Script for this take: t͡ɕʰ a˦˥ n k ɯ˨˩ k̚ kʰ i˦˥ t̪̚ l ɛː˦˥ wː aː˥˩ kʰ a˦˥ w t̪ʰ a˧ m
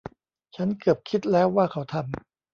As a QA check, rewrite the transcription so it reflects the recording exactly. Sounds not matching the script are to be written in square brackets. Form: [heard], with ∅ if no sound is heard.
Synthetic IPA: t͡ɕʰ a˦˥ n k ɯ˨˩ [p̚] kʰ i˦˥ t̪̚ l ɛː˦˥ wː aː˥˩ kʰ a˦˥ w t̪ʰ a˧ m